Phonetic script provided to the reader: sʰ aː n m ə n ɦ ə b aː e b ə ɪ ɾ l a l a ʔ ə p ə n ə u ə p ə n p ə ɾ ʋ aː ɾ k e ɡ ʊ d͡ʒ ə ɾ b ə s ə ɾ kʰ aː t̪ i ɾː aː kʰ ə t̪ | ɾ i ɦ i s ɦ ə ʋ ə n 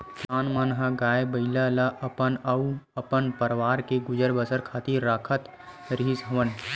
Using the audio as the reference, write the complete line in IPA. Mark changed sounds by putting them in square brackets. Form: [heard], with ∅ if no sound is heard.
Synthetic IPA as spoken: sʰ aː n m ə n ɦ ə [ɡ] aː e b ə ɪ [∅] l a l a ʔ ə p ə n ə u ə p ə n p ə ɾ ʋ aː ɾ k e ɡ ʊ d͡ʒ ə ɾ b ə s ə ɾ kʰ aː t̪ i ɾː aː kʰ ə t̪ | ɾ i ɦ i s ɦ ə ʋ ə n